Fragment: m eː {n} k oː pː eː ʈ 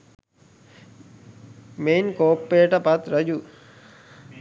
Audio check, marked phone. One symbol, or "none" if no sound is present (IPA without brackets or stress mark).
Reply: n